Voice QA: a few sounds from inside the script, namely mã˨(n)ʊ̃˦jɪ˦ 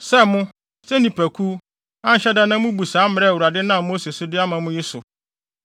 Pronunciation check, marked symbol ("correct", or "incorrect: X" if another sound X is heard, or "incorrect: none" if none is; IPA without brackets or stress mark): incorrect: m